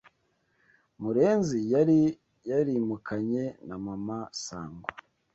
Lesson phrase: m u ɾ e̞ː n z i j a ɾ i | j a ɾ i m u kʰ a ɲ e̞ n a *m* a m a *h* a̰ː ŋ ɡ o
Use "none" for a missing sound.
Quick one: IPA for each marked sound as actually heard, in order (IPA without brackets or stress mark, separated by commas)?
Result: m, s